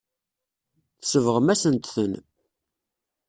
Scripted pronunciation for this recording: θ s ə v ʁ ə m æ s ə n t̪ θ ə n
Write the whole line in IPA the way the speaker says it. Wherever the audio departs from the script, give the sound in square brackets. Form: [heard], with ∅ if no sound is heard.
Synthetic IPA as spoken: θ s ə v ʁ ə m æ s ə n t̪ θ ə n